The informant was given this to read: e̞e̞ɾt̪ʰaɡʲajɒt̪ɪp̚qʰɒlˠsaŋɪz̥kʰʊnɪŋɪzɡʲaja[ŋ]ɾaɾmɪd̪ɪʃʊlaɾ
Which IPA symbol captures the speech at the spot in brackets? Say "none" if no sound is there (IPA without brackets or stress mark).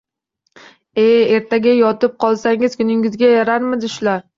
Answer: none